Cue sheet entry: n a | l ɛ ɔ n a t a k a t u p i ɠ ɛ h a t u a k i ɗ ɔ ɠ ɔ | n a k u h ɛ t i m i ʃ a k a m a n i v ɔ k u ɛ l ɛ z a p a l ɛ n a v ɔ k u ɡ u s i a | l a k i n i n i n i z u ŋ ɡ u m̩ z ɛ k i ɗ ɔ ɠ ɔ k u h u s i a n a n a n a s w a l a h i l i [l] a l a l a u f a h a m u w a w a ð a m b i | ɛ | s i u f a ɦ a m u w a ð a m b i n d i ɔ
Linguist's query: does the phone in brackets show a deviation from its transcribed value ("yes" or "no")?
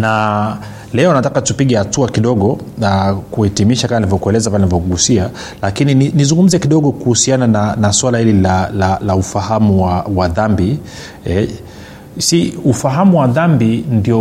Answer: no